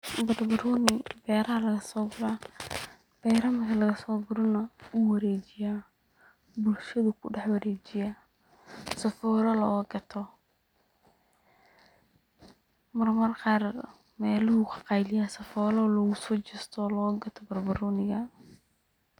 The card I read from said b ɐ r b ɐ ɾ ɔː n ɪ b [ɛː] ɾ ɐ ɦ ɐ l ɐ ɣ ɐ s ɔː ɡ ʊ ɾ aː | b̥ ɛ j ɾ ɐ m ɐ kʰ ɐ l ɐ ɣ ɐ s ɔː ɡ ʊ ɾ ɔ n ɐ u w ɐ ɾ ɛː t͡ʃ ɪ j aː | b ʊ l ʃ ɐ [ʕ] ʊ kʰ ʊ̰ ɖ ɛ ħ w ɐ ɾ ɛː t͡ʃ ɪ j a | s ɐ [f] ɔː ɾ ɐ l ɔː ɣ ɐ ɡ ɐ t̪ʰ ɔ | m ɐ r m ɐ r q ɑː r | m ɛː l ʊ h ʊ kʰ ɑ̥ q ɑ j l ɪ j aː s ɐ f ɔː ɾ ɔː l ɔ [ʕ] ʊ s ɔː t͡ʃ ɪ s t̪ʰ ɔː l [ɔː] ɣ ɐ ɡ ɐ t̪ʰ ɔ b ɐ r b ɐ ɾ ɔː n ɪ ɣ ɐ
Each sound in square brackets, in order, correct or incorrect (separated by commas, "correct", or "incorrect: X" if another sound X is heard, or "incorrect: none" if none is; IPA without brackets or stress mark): correct, incorrect: ð, correct, incorrect: ɣ, correct